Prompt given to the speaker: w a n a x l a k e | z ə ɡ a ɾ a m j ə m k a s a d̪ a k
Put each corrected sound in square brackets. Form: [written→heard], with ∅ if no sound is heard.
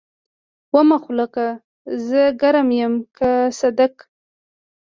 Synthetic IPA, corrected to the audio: w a [n→m] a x l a k [e→a] | z ə ɡ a ɾ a m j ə m k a s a d̪ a k